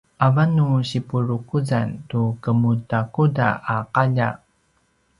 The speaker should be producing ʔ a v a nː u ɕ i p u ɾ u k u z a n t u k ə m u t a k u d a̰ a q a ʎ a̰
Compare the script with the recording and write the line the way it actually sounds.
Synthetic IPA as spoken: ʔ a v a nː u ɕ i p u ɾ u k u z a n t u k ə m u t a k u d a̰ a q a ʎ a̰